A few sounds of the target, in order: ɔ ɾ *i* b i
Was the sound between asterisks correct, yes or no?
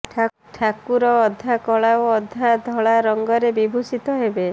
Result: no